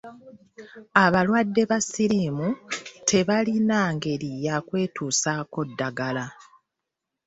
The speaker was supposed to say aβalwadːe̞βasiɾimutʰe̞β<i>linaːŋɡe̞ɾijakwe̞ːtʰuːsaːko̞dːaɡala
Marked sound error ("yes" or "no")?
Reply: yes